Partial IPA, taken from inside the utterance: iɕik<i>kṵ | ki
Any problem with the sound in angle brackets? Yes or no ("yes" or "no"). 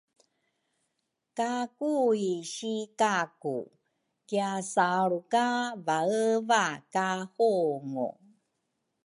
yes